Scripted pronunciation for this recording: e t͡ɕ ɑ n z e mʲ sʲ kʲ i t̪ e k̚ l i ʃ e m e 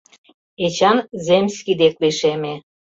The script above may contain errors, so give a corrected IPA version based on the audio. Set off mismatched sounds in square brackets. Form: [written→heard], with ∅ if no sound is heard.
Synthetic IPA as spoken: e t͡ɕ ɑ n z e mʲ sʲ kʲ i [t̪→d̪] e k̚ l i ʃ e m e